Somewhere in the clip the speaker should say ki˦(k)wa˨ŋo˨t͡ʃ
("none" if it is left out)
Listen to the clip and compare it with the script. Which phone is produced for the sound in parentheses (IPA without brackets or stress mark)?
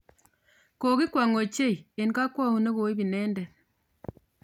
k